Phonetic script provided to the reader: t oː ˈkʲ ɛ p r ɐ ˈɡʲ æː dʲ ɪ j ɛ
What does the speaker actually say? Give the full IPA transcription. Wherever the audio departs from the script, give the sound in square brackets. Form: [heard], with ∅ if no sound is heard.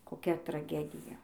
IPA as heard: [k] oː ˈkʲ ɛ [t] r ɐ ˈɡʲ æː dʲ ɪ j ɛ